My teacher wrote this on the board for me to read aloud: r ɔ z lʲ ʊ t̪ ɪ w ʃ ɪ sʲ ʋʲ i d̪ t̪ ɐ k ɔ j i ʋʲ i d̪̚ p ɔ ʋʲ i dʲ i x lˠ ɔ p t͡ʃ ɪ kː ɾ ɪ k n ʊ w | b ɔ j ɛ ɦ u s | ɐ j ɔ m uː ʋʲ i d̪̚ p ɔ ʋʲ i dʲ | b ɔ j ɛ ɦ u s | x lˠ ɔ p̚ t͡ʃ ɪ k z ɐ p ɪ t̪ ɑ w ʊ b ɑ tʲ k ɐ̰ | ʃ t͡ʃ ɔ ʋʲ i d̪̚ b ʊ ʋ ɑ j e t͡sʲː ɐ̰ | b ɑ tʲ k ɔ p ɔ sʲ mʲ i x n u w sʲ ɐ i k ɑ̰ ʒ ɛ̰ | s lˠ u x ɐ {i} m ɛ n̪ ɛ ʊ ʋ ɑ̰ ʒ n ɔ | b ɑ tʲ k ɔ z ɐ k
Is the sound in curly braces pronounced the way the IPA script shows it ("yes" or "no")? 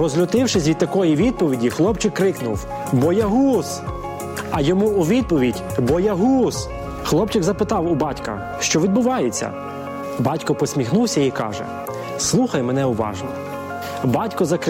no